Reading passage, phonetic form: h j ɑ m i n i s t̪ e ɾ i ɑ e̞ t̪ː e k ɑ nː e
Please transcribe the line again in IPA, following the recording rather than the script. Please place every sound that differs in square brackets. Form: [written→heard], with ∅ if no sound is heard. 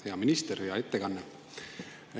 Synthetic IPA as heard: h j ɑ m i n i s t̪ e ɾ [i→j] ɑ e̞ t̪ː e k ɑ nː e